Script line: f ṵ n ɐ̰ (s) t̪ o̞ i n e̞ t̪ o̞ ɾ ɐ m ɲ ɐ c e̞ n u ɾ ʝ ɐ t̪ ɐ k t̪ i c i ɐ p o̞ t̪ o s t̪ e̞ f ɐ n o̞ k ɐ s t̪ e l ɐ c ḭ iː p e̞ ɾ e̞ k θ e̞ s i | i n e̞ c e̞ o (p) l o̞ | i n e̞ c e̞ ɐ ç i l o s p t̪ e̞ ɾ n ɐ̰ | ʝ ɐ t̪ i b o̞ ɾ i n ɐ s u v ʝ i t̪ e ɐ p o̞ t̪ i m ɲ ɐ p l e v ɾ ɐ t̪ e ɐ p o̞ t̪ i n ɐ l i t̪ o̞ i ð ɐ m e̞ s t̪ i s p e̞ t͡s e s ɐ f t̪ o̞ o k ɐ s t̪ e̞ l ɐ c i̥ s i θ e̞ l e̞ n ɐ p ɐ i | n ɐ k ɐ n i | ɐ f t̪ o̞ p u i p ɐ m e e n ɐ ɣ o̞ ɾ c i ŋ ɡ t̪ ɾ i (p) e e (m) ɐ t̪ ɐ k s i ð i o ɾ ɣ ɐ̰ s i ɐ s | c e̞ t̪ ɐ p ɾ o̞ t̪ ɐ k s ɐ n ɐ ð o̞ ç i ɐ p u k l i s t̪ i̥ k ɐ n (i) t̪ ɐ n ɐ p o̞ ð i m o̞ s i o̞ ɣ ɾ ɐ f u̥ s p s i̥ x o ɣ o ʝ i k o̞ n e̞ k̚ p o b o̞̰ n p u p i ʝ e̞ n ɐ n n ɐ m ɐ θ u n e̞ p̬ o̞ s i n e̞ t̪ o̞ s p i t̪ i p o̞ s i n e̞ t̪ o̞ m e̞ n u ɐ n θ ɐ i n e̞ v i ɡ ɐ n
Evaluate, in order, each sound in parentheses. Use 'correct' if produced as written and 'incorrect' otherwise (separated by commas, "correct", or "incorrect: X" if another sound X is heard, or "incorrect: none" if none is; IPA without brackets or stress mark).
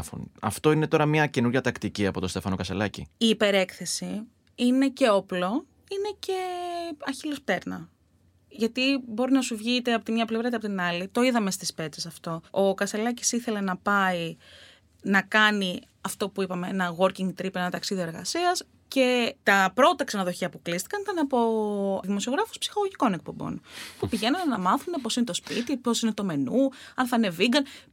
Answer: incorrect: f, correct, correct, incorrect: n, correct